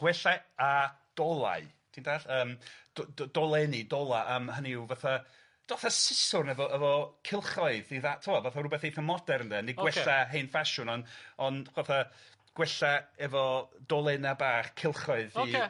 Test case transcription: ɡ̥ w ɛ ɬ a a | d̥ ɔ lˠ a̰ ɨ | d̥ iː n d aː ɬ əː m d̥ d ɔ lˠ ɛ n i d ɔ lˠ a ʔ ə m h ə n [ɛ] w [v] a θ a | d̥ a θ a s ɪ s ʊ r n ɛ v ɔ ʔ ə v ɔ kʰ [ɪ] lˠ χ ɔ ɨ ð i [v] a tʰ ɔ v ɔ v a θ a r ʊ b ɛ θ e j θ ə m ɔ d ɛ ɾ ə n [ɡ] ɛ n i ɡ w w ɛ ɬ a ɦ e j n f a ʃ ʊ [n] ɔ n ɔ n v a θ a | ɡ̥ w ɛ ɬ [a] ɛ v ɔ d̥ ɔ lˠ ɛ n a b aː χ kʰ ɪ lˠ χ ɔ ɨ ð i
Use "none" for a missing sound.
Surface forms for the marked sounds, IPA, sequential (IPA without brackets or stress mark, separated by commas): i, v, ɪ, ð, d, n, a